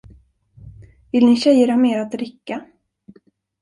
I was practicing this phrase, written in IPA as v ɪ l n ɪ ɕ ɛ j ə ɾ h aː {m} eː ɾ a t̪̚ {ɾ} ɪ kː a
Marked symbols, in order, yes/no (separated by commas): yes, yes